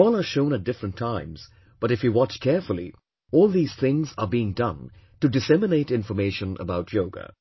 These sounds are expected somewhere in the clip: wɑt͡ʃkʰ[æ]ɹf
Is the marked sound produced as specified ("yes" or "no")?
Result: no